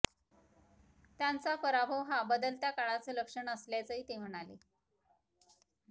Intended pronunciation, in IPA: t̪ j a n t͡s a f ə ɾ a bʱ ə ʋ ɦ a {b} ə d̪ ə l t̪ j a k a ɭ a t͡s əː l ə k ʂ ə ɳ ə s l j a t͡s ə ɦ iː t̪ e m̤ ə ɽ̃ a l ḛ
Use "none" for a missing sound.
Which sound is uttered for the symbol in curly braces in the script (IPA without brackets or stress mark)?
b